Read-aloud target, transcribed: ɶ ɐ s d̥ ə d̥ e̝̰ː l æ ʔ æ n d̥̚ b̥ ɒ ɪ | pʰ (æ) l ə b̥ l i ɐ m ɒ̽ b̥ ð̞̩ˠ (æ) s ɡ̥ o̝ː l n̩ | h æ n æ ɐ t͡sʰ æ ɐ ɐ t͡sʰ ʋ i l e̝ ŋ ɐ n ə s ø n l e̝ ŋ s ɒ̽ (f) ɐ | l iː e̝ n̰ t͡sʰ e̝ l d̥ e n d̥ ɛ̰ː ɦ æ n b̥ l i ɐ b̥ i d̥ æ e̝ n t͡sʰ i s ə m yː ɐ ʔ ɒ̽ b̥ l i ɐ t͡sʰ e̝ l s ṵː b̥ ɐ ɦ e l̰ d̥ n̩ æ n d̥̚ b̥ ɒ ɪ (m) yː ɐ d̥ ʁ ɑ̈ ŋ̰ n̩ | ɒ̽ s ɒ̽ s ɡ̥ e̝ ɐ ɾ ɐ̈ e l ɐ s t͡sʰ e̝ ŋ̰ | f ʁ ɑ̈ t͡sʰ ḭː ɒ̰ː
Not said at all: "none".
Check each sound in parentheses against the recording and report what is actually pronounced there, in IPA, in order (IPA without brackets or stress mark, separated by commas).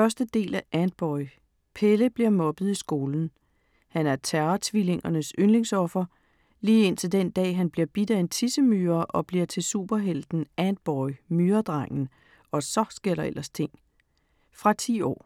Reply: e, i, f, m